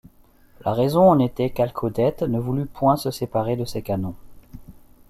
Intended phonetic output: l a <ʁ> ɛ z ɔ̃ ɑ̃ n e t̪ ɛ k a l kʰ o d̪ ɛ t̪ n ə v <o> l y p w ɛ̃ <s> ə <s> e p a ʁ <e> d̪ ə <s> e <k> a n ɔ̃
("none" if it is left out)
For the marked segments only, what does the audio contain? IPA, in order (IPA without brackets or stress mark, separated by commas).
ʁ, u, s, s, e, s, k